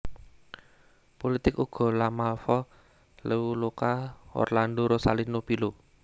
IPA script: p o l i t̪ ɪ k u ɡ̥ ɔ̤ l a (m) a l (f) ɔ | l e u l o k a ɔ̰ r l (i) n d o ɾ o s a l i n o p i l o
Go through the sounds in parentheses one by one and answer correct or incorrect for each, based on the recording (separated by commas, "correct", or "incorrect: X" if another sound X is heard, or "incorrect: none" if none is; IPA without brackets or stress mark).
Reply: correct, correct, incorrect: a